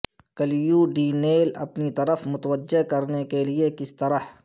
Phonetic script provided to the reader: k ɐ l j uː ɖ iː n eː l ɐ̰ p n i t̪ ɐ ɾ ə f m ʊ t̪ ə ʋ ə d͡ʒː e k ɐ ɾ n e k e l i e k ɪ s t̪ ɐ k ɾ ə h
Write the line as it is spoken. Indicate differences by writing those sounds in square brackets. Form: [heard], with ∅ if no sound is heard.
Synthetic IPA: k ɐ l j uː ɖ iː n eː l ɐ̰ p n i t̪ ɐ ɾ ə f m ʊ t̪ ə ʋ ə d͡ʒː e k ɐ ɾ n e k e l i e k ɪ s t̪ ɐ [∅] ɾ ə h